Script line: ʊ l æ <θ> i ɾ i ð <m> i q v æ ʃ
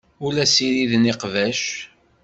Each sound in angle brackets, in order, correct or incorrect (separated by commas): incorrect, incorrect